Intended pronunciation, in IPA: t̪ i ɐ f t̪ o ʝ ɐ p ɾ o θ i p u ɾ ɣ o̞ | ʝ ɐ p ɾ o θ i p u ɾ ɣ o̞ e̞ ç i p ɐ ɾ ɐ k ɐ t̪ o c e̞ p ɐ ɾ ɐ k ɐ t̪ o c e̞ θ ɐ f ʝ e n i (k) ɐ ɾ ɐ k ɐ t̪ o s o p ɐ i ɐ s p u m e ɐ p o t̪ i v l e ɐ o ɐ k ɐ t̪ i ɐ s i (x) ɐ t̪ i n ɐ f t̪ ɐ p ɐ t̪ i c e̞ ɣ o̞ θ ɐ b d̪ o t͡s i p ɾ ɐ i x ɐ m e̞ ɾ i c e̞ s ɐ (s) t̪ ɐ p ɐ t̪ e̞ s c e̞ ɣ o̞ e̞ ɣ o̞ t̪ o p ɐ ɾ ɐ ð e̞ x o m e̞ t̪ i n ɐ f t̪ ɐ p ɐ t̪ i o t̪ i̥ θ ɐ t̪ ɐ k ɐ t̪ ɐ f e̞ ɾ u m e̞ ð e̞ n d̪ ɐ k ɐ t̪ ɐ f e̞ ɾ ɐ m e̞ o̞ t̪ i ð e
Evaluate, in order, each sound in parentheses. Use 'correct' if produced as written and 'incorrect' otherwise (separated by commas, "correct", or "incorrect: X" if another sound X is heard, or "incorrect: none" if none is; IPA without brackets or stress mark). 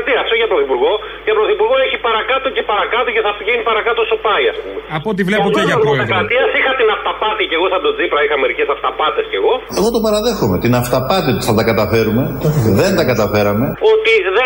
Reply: incorrect: p, correct, incorrect: f